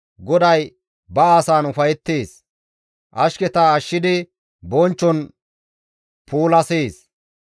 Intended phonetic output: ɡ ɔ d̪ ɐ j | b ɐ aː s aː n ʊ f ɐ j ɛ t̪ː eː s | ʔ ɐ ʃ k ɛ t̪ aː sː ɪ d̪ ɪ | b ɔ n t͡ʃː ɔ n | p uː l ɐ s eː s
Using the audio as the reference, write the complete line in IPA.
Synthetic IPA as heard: ɡ ɔ d̪ ɐ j | b ɐ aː s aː n ʊ f ɐ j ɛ t̪ː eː s | ʔ ɐ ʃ k ɛ t̪ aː ʃː ɪ d̪ ɪ | b ɔ n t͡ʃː ɔ n | p uː l ɐ s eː s